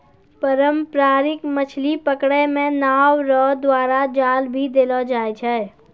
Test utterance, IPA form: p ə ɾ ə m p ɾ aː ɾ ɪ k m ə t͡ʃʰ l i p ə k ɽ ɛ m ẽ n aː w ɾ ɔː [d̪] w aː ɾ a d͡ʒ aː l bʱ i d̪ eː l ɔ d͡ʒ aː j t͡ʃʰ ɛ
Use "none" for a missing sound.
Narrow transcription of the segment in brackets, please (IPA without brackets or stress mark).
d̪